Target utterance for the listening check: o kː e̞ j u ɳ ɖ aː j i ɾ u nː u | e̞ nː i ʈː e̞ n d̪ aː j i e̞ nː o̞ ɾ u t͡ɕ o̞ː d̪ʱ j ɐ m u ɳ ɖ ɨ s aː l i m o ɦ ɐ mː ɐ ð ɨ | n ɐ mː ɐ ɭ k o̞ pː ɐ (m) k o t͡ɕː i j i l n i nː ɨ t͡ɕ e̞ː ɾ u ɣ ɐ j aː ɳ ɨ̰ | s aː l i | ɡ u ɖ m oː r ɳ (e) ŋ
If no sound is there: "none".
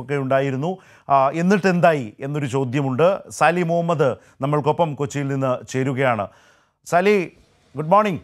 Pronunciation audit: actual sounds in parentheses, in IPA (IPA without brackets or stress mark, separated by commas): m, i